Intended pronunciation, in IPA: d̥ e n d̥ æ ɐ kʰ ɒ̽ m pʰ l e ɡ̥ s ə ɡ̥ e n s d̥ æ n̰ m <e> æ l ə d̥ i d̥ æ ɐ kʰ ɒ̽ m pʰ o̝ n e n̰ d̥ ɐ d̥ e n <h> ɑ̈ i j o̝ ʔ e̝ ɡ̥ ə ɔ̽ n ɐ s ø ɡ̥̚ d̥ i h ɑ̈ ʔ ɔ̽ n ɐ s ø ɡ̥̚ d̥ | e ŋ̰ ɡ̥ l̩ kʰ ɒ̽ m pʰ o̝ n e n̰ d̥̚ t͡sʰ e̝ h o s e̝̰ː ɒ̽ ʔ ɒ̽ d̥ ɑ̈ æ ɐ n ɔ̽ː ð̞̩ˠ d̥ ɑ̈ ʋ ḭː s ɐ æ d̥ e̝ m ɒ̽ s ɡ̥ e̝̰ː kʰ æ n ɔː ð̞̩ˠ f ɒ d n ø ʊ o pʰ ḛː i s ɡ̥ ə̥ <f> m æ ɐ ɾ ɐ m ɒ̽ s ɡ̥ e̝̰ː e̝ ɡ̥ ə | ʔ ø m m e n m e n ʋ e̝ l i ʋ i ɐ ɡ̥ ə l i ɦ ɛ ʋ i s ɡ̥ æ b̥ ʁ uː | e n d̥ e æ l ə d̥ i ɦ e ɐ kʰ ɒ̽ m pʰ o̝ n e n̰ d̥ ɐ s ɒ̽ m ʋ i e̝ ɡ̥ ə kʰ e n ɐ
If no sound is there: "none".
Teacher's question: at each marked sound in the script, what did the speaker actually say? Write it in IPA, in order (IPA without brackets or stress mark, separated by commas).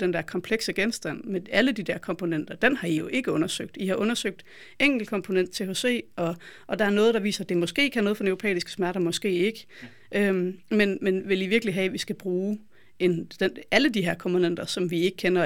e, h, s